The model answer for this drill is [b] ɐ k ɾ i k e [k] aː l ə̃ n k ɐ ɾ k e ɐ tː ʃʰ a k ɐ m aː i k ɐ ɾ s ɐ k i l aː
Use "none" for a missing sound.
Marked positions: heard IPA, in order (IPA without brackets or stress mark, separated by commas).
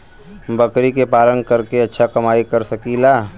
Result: b, p